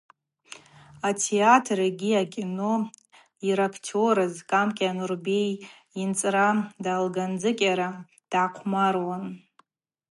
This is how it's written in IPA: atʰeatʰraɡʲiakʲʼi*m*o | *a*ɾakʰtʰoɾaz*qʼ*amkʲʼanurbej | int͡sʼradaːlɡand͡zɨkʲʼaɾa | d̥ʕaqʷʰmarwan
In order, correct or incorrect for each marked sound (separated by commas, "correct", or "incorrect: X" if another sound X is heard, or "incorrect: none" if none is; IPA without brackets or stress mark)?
incorrect: n, incorrect: i, incorrect: kʼ